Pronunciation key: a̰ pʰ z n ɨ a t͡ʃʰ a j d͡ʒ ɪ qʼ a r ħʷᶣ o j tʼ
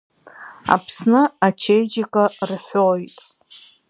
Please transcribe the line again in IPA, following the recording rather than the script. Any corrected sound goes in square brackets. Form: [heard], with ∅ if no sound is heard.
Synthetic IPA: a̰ pʰ [s] n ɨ a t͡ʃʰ [e] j d͡ʒ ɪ [kʼ] a r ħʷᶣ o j tʼ